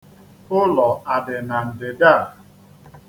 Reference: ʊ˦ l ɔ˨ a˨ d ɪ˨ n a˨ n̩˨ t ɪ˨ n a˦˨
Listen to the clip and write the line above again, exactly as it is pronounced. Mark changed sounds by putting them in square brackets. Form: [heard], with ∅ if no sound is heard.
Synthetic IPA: ʊ˦ l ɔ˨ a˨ d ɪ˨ n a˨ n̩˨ [d] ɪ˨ [d] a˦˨